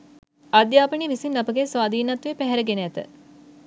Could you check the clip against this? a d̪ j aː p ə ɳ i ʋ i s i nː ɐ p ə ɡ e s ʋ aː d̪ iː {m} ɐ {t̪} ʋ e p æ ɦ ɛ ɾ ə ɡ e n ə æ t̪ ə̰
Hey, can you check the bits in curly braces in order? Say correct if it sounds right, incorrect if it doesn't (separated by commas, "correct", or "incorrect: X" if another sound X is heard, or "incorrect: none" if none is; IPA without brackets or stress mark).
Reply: incorrect: n, correct